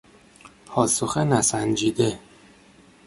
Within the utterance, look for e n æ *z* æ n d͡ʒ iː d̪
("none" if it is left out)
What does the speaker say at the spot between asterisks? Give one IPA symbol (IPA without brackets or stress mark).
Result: s